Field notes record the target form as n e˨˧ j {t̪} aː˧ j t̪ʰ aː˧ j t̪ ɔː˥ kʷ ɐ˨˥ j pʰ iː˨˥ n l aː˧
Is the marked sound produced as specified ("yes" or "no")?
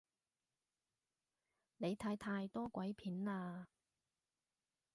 no